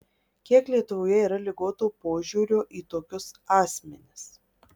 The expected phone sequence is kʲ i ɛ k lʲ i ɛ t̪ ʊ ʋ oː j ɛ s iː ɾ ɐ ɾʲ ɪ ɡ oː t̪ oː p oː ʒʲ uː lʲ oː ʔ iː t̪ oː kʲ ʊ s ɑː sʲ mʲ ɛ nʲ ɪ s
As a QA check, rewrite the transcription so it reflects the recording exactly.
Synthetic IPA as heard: kʲ i ɛ k lʲ i ɛ t̪ ʊ ʋ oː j ɛ iː ɾ ɐ lʲ ɪ ɡ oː t̪ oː p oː ʒʲ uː ɾʲ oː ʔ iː t̪ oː kʲ ʊ s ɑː sʲ mʲ ɛ nʲ ɪ s